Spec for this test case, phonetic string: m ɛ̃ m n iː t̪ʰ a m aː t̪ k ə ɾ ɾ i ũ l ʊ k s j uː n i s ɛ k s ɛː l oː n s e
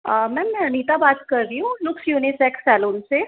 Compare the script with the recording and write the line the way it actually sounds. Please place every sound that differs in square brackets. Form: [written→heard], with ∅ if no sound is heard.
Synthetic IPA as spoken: m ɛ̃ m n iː [t̪ʰ→t̪] a [m→b] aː t̪ k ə ɾ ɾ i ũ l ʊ k s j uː n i s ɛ k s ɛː l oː n s e